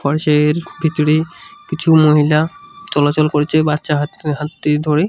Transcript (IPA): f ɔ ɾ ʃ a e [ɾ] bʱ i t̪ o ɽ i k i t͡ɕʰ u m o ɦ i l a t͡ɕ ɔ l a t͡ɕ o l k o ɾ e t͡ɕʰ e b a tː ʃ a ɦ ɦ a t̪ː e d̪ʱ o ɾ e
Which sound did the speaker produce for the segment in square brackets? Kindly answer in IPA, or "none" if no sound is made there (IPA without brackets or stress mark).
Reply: ɾ